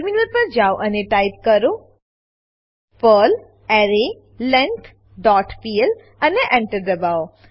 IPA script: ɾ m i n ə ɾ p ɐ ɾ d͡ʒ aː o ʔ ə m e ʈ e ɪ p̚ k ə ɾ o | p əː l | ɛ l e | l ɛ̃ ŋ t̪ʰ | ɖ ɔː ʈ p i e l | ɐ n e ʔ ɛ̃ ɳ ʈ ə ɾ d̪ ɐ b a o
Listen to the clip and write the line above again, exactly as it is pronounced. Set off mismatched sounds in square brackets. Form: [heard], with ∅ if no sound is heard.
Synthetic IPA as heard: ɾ m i n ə ɾ p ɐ ɾ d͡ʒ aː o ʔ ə [n] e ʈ [a] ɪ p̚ k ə ɾ o | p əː l | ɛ [ɾ] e | l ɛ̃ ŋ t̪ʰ | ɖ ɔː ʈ p i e l | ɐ n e ʔ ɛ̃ ɳ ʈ ə ɾ d̪ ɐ b a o